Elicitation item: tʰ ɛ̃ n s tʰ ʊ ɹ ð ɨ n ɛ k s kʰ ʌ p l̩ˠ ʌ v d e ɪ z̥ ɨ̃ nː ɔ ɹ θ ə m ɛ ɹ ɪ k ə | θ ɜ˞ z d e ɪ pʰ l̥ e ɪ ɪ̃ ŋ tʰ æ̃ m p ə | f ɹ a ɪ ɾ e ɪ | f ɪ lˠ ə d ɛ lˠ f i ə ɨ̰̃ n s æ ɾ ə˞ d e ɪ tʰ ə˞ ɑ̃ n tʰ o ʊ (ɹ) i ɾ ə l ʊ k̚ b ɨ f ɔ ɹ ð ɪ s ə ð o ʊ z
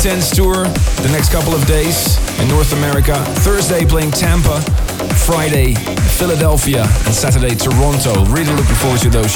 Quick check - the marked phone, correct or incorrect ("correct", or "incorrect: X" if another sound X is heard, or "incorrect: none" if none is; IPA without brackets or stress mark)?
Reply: correct